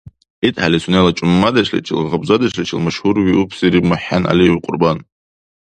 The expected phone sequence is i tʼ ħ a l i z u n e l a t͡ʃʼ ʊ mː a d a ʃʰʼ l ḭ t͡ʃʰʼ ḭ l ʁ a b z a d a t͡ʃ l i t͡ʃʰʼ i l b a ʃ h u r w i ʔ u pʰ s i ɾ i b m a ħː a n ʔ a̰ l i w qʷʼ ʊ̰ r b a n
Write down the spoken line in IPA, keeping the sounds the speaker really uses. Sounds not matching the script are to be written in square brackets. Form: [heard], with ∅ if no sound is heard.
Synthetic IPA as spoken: i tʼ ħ a l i [s] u n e l a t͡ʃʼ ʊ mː a d a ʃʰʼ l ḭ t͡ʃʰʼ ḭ l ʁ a b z a d a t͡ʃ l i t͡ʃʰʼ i l [m] a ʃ h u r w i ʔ u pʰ s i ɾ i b m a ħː a n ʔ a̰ l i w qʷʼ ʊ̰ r b a n